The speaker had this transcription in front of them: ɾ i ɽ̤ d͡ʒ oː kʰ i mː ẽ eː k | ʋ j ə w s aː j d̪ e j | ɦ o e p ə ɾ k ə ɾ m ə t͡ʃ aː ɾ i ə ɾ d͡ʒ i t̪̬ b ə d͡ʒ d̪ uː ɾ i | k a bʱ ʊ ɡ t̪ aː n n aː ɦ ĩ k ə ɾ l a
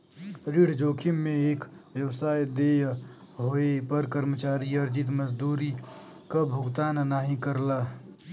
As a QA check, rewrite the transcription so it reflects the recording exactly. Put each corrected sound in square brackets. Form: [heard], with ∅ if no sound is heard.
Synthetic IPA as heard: ɾ i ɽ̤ d͡ʒ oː kʰ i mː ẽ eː k | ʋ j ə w s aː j d̪ e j | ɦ o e p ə ɾ k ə ɾ m ə t͡ʃ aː ɾ i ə ɾ d͡ʒ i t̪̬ [m] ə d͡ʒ d̪ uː ɾ i | k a bʱ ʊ ɡ t̪ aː n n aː ɦ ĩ k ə ɾ l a